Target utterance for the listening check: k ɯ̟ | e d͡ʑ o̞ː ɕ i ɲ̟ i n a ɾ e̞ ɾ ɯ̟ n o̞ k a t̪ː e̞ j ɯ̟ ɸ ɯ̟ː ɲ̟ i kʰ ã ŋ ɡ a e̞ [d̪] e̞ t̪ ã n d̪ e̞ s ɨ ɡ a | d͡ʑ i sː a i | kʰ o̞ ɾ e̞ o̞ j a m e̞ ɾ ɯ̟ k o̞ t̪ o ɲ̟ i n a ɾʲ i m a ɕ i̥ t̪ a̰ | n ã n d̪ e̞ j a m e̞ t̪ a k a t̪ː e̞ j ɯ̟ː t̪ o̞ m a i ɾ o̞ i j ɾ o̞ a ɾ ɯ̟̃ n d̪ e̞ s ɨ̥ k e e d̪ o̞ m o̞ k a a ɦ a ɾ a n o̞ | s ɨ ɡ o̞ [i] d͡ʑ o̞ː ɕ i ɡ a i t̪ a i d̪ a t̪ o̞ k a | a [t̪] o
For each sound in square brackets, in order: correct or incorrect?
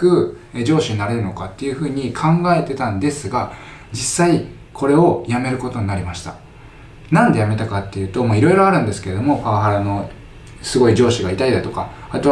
incorrect: t̪, correct, correct

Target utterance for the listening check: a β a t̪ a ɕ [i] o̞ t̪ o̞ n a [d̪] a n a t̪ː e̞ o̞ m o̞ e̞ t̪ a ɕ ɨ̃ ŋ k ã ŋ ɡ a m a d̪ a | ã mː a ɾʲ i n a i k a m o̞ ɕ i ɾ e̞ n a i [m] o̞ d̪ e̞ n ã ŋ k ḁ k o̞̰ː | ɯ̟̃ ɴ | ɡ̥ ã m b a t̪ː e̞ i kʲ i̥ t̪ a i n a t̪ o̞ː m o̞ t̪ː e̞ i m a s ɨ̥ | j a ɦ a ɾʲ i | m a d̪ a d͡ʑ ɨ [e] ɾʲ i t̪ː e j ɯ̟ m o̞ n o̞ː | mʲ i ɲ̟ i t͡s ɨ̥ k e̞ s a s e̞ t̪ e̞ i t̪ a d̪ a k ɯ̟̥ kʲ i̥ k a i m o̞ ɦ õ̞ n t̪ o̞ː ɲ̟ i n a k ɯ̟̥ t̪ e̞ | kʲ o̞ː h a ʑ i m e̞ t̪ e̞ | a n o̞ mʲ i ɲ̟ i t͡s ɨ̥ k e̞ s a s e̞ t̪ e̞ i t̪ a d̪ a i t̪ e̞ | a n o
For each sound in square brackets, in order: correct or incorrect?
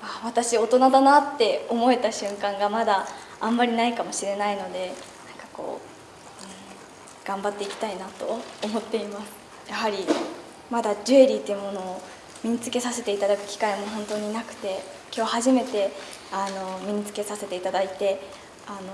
correct, correct, incorrect: n, correct

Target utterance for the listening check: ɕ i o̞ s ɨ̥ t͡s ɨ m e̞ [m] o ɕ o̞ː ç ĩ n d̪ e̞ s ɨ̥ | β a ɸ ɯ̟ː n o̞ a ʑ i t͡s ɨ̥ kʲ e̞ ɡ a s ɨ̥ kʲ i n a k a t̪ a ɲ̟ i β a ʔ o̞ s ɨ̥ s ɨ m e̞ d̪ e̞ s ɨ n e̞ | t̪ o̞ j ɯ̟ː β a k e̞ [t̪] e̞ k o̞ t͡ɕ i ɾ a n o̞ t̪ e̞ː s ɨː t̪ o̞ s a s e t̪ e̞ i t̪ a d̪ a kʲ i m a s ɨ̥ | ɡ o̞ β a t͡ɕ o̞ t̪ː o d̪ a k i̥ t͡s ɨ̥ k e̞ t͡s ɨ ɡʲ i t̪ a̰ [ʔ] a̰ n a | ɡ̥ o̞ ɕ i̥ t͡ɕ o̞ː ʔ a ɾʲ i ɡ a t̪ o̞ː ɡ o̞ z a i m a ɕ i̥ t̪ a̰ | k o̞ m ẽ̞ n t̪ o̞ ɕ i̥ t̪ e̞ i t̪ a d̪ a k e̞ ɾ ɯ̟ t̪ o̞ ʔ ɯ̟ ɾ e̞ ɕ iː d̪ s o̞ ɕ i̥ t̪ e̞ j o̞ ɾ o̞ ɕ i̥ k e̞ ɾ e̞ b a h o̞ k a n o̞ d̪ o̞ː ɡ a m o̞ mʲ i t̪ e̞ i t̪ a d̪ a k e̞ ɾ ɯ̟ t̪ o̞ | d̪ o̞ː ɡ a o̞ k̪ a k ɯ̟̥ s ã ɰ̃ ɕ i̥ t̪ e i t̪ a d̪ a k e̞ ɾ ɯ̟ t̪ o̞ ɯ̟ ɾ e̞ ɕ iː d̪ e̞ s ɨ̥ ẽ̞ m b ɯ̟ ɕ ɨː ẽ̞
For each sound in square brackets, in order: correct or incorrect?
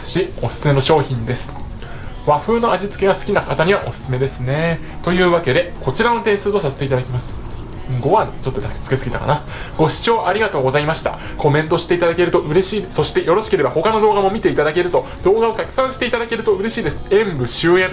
incorrect: n, incorrect: d̪, incorrect: k

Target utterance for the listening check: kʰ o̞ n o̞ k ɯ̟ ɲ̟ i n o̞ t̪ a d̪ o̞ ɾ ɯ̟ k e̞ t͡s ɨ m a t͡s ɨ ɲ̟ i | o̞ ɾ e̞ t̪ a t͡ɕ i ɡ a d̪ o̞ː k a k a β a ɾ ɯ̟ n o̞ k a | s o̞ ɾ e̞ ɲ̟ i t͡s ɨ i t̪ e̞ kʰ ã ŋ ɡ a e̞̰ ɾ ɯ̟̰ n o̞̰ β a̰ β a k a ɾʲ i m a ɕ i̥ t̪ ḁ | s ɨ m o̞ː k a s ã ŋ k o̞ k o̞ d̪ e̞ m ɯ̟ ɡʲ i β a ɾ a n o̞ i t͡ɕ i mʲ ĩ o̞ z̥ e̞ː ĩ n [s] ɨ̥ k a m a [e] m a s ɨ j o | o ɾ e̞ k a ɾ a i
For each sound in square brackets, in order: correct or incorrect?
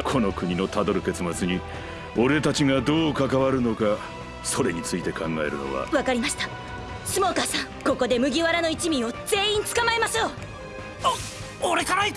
incorrect: t͡s, correct

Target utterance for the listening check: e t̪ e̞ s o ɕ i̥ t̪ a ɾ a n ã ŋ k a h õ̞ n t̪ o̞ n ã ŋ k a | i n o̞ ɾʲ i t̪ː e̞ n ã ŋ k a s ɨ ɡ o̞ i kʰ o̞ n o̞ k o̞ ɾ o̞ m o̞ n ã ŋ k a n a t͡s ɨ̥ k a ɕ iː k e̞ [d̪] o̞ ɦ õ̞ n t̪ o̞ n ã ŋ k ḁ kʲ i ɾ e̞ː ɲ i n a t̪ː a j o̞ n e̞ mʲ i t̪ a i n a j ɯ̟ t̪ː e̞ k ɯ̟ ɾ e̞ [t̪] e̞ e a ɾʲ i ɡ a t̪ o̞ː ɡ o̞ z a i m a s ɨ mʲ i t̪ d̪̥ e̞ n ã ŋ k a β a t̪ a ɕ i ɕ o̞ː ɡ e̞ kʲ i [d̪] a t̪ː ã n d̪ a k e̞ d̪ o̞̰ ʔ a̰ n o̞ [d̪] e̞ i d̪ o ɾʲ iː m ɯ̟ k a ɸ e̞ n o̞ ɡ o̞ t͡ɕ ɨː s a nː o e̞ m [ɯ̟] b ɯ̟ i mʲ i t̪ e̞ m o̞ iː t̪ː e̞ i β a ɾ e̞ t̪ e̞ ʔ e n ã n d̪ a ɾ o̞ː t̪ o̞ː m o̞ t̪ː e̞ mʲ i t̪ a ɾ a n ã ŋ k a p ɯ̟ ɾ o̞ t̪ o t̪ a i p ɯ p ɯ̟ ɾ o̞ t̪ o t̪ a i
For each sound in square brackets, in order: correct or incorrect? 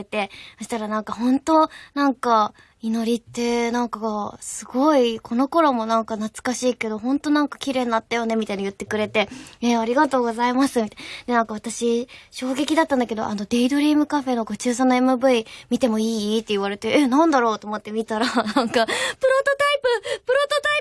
correct, correct, correct, correct, correct

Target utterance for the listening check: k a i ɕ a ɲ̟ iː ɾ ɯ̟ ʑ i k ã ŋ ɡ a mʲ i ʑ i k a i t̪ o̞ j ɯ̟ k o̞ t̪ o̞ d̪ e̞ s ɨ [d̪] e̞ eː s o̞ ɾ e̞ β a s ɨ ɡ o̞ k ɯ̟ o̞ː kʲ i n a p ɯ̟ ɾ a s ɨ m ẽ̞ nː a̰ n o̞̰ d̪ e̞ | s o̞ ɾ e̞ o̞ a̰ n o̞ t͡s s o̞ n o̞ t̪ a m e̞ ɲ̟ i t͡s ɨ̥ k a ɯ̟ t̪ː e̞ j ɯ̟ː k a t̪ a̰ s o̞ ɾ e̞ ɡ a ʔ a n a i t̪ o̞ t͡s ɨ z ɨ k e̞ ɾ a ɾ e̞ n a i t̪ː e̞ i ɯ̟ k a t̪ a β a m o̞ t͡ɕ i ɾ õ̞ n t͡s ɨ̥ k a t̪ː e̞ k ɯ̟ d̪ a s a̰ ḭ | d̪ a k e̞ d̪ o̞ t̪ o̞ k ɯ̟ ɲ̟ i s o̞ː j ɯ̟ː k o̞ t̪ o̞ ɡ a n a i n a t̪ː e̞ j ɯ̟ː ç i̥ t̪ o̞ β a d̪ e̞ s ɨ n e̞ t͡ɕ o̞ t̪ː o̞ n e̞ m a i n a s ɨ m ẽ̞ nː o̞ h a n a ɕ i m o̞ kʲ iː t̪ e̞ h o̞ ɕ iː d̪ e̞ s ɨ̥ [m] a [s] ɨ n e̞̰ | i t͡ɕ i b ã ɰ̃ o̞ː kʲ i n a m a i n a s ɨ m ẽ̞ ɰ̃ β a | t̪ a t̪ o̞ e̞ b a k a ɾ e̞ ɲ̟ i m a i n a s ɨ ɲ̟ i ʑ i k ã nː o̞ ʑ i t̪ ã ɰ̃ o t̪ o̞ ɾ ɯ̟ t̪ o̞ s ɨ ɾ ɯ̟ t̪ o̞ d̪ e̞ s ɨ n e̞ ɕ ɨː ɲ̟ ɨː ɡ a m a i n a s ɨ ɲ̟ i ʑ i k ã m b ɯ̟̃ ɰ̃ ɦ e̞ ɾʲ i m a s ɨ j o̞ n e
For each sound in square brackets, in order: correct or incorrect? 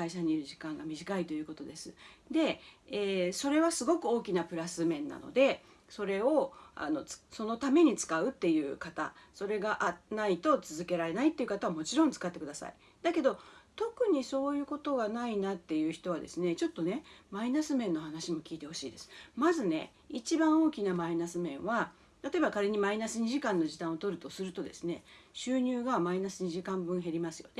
correct, correct, incorrect: z

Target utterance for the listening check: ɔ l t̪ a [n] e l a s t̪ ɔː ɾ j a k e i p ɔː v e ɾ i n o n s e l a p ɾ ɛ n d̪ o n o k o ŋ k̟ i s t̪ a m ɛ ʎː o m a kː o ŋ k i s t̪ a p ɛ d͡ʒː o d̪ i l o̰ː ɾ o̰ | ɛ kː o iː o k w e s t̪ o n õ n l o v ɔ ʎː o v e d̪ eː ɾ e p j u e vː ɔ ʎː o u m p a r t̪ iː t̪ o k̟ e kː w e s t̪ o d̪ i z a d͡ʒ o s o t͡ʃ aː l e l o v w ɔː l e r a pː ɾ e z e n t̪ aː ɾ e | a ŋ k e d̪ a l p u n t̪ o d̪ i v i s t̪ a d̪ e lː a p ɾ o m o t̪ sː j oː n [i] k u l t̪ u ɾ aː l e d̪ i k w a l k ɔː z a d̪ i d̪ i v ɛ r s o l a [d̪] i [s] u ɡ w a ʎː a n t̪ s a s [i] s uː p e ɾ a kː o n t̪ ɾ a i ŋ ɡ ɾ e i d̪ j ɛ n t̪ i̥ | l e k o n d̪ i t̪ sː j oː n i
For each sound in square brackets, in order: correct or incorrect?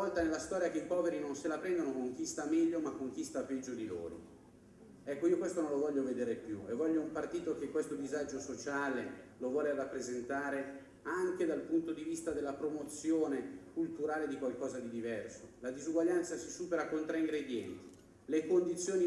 correct, incorrect: e, correct, incorrect: z, correct

